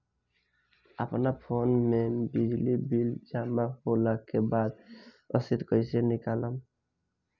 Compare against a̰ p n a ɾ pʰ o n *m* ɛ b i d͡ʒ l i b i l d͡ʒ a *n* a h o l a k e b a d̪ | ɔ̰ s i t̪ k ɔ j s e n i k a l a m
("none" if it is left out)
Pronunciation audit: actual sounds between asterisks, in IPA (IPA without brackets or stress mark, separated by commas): m, m